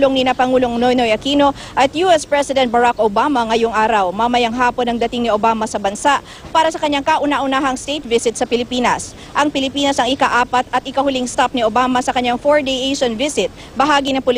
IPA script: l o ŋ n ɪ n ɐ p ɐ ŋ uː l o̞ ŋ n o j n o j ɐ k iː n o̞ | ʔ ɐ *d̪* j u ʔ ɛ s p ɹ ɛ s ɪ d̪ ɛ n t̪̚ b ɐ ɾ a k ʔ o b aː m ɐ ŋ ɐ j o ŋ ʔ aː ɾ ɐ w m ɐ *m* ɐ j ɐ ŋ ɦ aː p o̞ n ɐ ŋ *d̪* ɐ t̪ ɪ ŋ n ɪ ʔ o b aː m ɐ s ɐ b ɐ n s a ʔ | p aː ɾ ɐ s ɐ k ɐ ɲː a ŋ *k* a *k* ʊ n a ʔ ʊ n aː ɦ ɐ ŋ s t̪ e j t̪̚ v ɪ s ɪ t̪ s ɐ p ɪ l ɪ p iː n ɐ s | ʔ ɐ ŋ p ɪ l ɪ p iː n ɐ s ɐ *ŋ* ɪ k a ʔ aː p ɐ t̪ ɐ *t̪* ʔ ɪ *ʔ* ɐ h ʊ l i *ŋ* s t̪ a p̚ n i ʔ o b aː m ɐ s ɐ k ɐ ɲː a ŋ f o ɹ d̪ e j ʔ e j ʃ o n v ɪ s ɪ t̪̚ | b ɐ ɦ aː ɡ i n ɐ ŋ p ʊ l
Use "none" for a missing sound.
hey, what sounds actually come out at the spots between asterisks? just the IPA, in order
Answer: t̪, m, d̪, k, ʔ, ŋ, t̪, k, ŋ

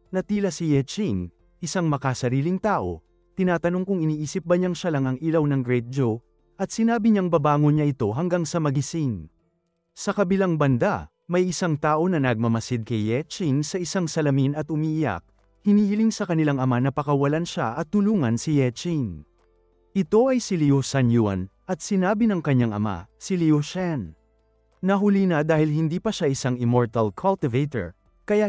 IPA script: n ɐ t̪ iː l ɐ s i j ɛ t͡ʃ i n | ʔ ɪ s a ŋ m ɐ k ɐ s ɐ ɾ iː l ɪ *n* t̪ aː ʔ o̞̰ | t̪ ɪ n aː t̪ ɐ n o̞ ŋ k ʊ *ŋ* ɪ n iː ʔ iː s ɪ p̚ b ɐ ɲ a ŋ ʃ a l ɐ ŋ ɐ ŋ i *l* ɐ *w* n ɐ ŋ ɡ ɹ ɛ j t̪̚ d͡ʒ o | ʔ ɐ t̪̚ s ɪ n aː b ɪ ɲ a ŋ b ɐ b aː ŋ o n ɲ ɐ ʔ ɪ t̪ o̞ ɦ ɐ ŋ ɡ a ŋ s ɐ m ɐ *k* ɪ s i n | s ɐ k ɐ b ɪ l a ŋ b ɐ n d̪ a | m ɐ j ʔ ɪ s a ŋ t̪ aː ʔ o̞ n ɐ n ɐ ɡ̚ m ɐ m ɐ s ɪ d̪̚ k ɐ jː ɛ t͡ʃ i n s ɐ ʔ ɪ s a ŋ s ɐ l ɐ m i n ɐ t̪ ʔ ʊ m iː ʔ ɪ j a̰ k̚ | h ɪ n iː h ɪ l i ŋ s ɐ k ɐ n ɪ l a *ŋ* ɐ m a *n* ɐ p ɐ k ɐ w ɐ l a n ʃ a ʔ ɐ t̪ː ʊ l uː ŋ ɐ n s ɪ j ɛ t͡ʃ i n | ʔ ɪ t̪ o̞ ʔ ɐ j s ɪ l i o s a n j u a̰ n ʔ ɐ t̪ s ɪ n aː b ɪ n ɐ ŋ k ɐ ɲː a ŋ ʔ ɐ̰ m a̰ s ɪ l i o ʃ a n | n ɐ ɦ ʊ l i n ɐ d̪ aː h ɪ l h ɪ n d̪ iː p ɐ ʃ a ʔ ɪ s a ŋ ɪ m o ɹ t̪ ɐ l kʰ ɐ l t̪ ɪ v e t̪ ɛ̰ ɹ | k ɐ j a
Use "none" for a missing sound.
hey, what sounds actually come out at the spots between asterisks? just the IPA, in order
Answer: ŋ, ŋ, l, w, ɡ, ŋ, n

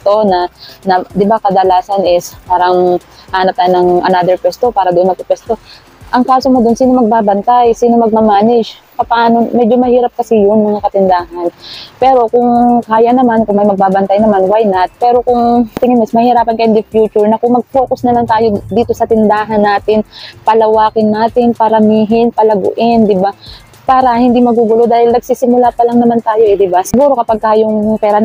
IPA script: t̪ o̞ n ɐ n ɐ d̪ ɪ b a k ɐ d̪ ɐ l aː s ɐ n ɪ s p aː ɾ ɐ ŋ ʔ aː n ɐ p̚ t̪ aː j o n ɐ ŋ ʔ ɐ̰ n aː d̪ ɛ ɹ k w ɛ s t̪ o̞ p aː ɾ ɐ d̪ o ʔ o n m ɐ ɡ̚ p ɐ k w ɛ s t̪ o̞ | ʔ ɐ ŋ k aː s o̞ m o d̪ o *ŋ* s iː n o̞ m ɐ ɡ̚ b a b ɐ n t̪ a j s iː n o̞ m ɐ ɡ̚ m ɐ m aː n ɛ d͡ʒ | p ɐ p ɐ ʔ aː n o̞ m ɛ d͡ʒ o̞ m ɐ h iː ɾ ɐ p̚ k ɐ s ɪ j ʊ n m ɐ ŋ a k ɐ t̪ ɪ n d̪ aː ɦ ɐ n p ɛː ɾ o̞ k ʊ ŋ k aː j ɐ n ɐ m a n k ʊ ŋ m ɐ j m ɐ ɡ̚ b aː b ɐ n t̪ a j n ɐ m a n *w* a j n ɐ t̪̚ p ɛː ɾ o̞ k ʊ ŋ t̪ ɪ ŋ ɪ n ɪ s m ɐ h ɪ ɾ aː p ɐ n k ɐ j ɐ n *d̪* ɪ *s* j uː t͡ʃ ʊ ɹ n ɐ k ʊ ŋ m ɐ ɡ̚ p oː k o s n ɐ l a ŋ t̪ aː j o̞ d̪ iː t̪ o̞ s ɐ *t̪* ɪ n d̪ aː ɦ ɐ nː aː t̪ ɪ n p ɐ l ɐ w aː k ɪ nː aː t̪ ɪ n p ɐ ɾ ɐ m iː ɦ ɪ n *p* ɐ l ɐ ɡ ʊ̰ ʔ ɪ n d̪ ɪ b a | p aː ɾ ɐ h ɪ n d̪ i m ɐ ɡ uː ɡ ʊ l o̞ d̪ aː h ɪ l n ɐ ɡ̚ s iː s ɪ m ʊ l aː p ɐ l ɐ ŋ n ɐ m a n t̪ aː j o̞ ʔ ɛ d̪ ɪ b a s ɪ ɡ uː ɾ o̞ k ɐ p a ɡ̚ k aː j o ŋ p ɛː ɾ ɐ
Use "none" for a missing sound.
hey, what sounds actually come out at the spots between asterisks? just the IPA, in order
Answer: n, w, d̪, f, t̪, p

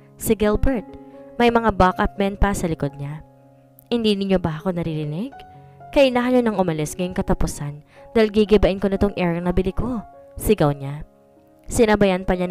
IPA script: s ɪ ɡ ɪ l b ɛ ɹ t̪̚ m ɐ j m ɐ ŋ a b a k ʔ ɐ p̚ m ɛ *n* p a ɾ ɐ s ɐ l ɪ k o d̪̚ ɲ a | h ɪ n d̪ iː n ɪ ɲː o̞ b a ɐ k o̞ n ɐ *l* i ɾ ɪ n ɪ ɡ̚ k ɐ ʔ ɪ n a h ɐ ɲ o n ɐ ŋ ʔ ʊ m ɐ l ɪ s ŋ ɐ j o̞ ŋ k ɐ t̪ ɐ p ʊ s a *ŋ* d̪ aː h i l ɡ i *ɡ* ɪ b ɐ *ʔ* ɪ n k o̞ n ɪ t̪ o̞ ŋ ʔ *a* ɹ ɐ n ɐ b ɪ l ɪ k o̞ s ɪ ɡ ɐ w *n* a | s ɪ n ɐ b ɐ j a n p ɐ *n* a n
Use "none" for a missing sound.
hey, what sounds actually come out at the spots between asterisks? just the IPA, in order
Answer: n, ɾ, n, ɡ, ʔ, ɛ, ɲ, ɲ

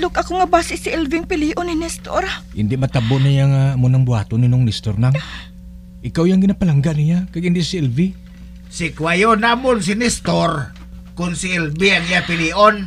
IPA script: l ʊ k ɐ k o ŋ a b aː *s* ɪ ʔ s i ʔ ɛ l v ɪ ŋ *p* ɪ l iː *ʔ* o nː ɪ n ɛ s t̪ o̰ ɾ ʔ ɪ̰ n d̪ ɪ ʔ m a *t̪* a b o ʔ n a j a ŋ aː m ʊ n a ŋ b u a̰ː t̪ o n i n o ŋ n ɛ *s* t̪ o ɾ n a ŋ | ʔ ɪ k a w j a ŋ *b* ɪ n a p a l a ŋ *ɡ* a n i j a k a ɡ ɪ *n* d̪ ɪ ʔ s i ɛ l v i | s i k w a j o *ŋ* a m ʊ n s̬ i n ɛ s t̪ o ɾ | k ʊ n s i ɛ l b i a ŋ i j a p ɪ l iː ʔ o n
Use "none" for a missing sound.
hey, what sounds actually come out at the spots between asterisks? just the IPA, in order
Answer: s, p, ʔ, t̪, s, ɡ, ɡ, n, n

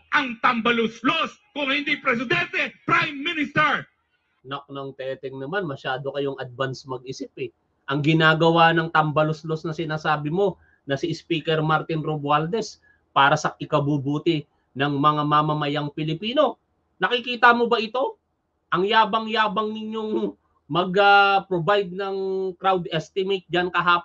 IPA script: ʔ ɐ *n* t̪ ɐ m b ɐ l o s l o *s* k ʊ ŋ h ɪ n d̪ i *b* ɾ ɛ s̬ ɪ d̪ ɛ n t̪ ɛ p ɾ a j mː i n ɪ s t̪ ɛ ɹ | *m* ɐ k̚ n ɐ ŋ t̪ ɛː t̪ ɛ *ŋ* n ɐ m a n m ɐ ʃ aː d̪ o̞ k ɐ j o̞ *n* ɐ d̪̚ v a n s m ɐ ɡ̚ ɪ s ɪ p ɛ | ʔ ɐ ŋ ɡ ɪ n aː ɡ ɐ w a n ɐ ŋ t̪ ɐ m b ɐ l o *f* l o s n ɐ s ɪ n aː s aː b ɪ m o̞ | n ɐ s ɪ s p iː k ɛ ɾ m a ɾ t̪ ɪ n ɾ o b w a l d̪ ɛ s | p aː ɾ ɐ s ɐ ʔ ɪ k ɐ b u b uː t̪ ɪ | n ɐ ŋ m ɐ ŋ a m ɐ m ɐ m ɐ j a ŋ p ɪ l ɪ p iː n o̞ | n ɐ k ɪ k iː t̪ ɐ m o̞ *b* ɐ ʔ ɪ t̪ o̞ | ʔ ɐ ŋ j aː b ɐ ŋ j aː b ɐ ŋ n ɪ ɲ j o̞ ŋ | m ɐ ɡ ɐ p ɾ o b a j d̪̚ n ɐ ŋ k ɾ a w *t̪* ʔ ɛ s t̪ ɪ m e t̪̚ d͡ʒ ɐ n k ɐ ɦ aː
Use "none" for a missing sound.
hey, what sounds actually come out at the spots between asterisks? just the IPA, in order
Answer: ŋ, s, p, n, ŋ, ŋ, s, b, d̪

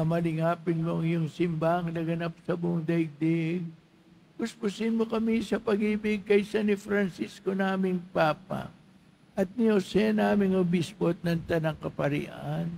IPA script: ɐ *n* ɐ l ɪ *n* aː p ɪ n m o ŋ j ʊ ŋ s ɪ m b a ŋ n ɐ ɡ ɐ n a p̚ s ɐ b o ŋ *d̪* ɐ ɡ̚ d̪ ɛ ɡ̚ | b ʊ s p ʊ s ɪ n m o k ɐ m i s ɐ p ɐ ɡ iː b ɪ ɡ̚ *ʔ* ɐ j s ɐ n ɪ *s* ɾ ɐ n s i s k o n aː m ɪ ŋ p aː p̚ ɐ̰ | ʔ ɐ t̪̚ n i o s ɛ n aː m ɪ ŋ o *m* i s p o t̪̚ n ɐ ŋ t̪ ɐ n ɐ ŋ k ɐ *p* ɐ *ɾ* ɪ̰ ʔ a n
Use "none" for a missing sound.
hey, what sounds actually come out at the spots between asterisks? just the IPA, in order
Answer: m, ŋ, d̪, k, f, b, p, ɾ

